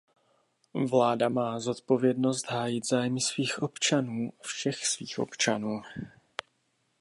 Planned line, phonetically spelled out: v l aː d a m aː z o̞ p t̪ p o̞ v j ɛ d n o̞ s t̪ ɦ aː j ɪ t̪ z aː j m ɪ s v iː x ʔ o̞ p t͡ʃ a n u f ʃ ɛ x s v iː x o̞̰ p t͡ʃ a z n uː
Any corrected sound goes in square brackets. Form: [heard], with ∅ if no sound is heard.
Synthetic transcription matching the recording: v l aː d a m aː z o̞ [∅] t̪ p o̞ v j ɛ d n o̞ s t̪ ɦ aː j ɪ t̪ z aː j m ɪ s v iː x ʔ o̞ p t͡ʃ a n [uː] f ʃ ɛ x s v iː x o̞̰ p t͡ʃ a [∅] n uː